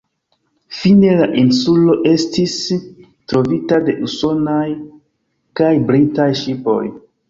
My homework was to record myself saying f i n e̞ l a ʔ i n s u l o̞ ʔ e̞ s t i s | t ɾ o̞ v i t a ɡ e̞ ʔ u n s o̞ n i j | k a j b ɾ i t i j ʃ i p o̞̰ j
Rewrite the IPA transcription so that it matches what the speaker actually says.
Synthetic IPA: f i n e̞ l a ʔ i n s u l o̞ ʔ e̞ s t i s | t ɾ o̞ v i t a d e̞ ʔ u s o̞ n a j | k a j b ɾ i t a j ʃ i p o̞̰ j